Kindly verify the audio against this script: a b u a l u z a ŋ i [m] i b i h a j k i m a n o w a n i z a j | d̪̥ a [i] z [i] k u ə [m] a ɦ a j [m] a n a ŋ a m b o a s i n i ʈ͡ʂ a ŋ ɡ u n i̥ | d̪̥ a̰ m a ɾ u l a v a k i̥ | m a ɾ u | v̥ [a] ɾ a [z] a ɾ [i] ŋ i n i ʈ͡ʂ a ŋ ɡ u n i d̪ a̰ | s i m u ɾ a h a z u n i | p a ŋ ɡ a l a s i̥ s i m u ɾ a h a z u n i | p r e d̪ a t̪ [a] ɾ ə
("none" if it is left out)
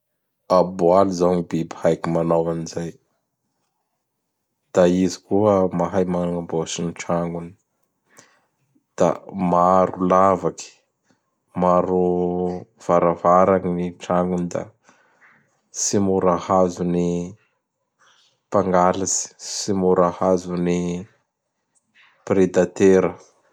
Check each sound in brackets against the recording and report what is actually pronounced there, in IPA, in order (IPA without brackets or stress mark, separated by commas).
b, i, i, m, m, a, v, a, e